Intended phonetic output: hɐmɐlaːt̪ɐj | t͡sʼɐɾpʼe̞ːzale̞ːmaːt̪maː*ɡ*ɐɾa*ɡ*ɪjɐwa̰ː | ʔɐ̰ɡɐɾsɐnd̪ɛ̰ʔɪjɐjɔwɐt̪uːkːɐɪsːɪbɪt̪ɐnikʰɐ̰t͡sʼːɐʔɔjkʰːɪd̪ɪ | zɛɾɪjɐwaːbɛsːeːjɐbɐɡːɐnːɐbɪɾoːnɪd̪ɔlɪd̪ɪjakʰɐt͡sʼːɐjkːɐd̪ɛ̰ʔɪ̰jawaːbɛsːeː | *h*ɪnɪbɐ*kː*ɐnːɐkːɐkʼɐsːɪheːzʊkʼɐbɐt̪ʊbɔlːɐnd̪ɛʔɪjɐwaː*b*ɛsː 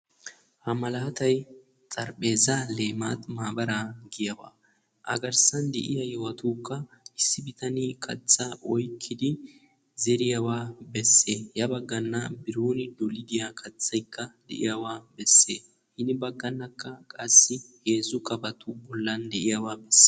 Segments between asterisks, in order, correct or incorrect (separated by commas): incorrect, correct, correct, incorrect, correct